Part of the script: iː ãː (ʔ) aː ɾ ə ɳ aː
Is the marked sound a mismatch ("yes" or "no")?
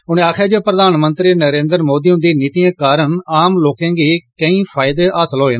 yes